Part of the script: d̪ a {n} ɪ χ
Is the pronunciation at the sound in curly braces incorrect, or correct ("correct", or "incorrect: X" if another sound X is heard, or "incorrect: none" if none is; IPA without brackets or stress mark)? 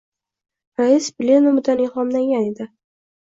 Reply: correct